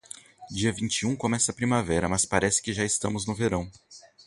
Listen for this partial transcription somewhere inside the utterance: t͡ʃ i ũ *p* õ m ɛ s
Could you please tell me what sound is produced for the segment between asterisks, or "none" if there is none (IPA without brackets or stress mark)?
k